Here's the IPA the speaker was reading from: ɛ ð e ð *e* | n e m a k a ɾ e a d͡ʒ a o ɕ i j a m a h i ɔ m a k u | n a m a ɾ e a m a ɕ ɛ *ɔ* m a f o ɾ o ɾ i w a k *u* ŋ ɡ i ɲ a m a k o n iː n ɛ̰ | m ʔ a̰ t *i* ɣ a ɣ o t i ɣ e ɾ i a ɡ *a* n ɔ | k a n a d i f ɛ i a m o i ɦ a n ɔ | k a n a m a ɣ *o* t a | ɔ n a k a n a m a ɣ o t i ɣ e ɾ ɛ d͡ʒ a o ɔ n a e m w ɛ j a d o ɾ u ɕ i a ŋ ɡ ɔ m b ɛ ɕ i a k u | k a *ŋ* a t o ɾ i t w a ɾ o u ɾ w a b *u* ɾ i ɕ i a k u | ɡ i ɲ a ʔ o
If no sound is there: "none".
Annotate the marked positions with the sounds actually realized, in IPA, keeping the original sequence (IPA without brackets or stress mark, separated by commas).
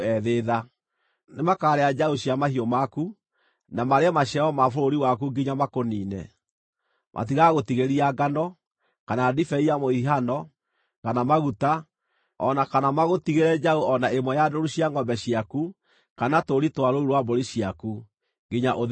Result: a, ɔ, u, i, a, u, n, o